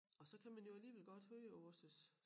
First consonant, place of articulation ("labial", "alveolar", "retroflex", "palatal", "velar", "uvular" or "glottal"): alveolar